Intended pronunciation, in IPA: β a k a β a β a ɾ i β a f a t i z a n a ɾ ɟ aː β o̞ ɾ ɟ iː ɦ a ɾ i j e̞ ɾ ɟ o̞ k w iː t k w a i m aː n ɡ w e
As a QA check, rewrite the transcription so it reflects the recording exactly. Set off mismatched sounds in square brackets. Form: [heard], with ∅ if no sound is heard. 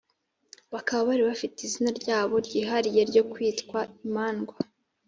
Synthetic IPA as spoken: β a k a β a β a ɾ i β a f [i] t i z [i] n a ɾ ɟ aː β o̞ ɾ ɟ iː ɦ a ɾ i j e̞ ɾ ɟ o̞ k w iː t k w a i m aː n ɡ w [a]

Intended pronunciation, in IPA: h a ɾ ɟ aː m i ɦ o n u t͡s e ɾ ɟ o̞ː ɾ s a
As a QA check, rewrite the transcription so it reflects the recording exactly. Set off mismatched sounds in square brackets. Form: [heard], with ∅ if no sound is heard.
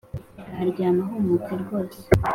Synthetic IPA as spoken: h a ɾ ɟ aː m [a] ɦ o [m] u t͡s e ɾ [ɡ] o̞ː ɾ s [e]

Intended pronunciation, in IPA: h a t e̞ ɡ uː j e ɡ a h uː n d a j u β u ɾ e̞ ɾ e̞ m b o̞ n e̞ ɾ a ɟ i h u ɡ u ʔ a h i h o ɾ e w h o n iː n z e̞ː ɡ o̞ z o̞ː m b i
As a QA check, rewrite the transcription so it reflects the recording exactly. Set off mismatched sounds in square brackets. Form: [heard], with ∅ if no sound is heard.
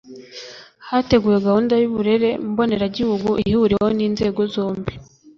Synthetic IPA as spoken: h a t e̞ ɡ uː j e ɡ a h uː n d a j u β u ɾ e̞ ɾ e̞ m b o̞ n e̞ ɾ a ɟ i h u ɡ u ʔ [i] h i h [u] ɾ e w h o n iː n z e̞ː ɡ o̞ z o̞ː m b i

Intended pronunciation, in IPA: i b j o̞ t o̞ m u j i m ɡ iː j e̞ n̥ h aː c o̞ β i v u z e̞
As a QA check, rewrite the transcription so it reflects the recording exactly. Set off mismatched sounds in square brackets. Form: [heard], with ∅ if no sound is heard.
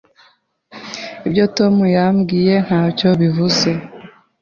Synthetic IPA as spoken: i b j o̞ t o̞ m u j [a] m ɡ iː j e̞ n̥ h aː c o̞ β i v u z e̞

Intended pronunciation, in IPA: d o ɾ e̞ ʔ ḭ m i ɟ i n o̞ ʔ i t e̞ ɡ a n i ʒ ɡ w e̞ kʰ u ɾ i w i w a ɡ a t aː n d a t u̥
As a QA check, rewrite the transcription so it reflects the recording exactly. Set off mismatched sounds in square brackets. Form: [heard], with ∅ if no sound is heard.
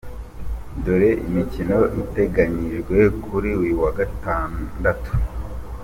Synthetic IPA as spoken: d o ɾ e̞ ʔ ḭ m i [c] i n o̞ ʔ i t e̞ ɡ a [ɲ] i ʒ ɡ w e̞ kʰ u ɾ i w i w a ɡ a t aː n d a t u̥

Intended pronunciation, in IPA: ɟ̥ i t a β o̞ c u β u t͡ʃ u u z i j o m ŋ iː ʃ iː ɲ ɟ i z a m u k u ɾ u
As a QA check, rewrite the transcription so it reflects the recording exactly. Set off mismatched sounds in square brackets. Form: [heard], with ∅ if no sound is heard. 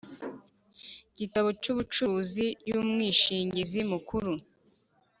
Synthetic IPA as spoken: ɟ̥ i t a β o̞ c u β u t͡ʃ u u z i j [u] m ŋ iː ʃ iː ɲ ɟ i z [i] m u k u ɾ u

